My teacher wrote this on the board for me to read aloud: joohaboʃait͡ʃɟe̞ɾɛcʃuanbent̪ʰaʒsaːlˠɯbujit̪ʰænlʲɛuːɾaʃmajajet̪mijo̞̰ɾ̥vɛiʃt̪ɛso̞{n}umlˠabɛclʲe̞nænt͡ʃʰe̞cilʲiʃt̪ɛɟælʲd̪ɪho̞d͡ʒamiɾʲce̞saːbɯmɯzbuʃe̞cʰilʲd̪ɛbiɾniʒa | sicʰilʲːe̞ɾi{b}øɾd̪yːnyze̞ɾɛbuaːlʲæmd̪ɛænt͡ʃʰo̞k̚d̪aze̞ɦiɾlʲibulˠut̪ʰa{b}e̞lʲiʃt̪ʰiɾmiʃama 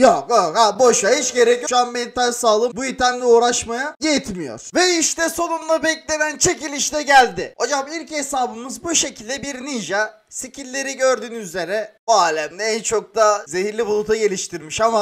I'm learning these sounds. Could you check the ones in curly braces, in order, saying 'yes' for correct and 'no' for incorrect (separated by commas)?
yes, no, no